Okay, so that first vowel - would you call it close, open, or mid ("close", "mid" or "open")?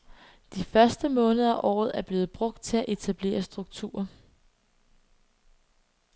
close